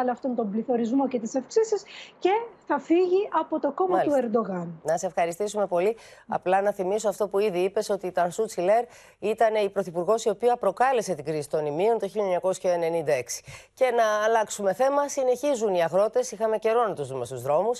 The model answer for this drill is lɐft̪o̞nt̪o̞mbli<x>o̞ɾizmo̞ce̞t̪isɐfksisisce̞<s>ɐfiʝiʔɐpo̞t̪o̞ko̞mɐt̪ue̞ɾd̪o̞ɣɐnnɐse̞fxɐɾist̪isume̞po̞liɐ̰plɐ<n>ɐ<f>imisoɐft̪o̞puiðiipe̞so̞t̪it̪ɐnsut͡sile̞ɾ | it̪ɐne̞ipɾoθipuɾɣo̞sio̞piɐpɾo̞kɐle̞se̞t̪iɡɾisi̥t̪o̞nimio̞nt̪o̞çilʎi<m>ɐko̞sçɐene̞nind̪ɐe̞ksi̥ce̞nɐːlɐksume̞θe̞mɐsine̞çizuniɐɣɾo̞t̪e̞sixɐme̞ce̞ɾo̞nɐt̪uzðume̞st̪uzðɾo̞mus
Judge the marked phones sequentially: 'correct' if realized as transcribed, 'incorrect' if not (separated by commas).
incorrect, incorrect, correct, incorrect, incorrect